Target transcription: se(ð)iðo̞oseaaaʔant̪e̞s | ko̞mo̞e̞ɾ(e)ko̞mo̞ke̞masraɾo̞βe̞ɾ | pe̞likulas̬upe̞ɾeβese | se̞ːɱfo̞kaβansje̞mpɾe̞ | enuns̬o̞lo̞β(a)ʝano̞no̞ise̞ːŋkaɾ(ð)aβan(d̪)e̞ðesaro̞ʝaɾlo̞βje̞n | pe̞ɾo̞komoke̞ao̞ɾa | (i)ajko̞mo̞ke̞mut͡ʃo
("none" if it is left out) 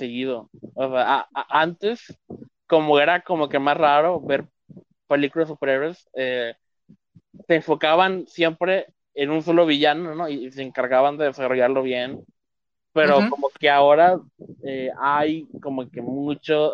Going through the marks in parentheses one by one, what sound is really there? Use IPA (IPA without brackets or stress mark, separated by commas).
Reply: ɣ, a, i, ɣ, d̪, e